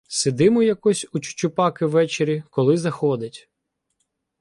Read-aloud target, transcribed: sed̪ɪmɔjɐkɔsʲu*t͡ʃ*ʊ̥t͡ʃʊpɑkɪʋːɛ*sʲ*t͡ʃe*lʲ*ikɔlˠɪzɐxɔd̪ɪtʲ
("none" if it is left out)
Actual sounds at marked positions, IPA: t͡ʃ, none, ɾʲ

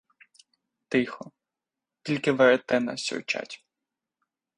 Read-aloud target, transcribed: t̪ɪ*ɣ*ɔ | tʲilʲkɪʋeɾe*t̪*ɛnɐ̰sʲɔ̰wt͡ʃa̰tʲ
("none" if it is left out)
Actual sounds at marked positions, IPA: x, t̪

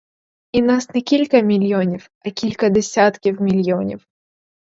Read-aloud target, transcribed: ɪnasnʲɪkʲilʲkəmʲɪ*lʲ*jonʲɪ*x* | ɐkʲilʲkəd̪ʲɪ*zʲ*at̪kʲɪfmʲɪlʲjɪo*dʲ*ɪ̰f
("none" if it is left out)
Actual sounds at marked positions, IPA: lʲ, f, sʲ, nʲ

